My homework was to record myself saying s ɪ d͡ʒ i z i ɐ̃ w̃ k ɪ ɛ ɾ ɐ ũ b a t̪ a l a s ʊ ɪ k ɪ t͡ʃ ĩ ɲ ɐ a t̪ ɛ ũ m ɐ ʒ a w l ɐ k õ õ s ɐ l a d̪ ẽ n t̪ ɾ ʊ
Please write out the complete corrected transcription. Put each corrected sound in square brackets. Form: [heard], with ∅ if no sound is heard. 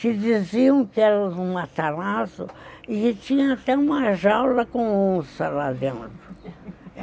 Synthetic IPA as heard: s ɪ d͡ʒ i z i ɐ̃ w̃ k ɪ ɛ ɾ ɐ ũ [m] a t̪ a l a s ʊ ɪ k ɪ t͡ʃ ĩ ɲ ɐ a t̪ ɛ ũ m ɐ ʒ a w l ɐ k õ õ s ɐ l a d̪ ẽ n t̪ ɾ ʊ

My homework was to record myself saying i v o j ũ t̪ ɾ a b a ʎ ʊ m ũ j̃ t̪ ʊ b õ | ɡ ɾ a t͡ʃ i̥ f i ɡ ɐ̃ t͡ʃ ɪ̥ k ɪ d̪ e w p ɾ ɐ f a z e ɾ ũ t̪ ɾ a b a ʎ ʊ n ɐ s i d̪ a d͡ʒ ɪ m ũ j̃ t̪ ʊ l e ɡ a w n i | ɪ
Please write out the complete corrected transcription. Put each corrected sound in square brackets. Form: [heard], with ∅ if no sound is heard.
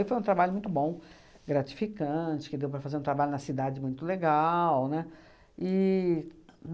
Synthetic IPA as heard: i [f] o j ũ t̪ ɾ a b a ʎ ʊ m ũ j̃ t̪ ʊ b õ | ɡ ɾ a t͡ʃ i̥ f i [k] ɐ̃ t͡ʃ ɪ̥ k ɪ d̪ e w p ɾ ɐ f a z e ɾ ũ t̪ ɾ a b a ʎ ʊ n ɐ s i d̪ a d͡ʒ ɪ m ũ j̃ t̪ ʊ l e ɡ a w n [ɛ] | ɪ

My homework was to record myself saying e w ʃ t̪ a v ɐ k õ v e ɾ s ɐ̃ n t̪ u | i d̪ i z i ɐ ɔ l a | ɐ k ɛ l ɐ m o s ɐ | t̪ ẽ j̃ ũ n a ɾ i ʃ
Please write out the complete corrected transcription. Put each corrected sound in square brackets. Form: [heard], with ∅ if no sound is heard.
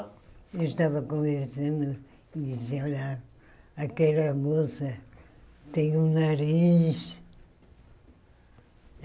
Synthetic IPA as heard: e w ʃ t̪ a v ɐ k õ v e ɾ s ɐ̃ n [d̪] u | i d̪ i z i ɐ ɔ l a | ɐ k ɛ l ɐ m o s ɐ | t̪ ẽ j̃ ũ n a ɾ i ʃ

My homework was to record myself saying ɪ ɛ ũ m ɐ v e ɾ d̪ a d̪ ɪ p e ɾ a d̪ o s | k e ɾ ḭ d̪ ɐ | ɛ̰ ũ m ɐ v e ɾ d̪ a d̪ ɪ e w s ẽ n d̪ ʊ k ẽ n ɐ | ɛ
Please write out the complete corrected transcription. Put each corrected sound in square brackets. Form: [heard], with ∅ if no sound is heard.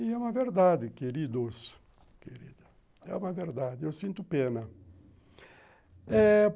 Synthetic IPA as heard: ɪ ɛ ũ m ɐ v e ɾ d̪ a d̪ ɪ [k] e ɾ [i] d̪ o s | k e ɾ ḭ d̪ ɐ | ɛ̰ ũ m ɐ v e ɾ d̪ a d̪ ɪ e w s [ĩ] n [t̪] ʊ [p] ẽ n ɐ | ɛ

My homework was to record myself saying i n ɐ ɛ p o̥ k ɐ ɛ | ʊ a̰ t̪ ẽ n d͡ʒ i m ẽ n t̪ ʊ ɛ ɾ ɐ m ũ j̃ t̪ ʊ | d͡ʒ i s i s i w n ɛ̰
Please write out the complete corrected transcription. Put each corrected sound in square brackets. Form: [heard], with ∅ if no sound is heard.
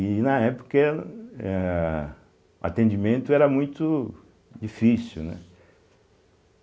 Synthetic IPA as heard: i n ɐ ɛ p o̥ k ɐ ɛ | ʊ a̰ t̪ ẽ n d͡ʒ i m ẽ n t̪ ʊ ɛ ɾ ɐ m ũ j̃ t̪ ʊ | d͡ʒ i [f] i s i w n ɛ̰

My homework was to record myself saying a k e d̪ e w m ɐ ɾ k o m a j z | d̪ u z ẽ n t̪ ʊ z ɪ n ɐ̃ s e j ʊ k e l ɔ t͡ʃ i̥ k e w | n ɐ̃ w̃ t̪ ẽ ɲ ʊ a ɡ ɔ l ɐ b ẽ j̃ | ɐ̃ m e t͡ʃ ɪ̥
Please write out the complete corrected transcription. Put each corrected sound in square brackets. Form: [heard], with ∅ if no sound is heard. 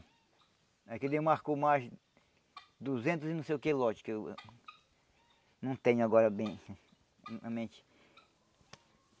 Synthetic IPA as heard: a k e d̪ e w m [a] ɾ k o m a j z | d̪ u z ẽ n t̪ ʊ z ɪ n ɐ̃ s e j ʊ k e l ɔ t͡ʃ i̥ k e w | n ɐ̃ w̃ t̪ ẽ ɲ ʊ a ɡ ɔ [ɾ] ɐ b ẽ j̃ | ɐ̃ m [ẽ] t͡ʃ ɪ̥

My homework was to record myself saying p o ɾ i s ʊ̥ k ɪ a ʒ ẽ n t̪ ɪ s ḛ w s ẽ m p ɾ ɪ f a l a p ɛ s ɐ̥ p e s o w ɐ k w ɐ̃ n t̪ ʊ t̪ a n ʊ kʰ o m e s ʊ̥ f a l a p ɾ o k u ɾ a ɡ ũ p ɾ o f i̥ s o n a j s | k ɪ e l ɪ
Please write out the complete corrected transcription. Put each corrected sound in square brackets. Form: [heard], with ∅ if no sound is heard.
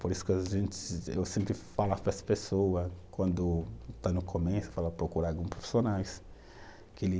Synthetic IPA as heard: p o ɾ i s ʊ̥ k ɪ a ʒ ẽ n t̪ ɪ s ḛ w s ẽ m p ɾ ɪ f a l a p ɛ s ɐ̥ p e s o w ɐ k w ɐ̃ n [d̪] ʊ t̪ a n ʊ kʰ o m e s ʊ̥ f a l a p ɾ o k u ɾ a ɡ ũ p ɾ o f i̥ s o n a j s | k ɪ e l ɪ

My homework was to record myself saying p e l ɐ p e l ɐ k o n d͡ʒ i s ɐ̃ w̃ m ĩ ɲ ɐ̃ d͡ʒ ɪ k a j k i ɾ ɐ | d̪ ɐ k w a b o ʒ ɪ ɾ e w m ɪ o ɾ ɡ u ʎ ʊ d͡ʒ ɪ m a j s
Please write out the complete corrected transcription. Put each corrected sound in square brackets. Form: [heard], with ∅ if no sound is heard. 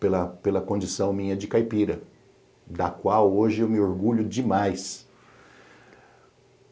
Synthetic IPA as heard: p e l ɐ p e l ɐ k [õ] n d͡ʒ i s ɐ̃ w̃ m ĩ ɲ [ɐ] d͡ʒ ɪ k a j [p] i ɾ ɐ | d̪ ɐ k w a [w] o ʒ ɪ [∅] e w m ɪ o ɾ ɡ u ʎ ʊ d͡ʒ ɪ m a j s

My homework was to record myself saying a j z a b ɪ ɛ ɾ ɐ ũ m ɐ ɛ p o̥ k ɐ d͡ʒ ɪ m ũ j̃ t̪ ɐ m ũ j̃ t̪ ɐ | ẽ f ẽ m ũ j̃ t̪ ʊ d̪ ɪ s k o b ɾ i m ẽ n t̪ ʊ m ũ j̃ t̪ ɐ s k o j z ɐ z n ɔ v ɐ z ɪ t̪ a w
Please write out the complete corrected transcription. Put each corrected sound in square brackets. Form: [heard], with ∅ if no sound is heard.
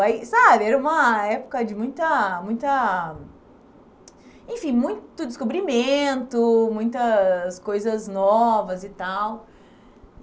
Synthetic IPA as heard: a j [s] a b ɪ ɛ ɾ ɐ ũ m ɐ ɛ p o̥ k ɐ d͡ʒ ɪ m ũ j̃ t̪ ɐ m ũ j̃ t̪ ɐ | ẽ f [ĩ] m ũ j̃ t̪ ʊ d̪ ɪ s k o b ɾ i m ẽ n t̪ ʊ m ũ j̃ t̪ ɐ s k o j z ɐ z n ɔ v ɐ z ɪ t̪ a w

